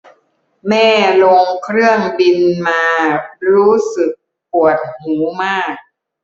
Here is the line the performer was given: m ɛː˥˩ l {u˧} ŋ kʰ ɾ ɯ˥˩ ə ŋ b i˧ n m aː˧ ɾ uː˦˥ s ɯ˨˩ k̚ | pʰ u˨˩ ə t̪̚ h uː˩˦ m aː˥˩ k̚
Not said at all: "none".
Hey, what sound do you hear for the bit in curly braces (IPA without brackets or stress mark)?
o˧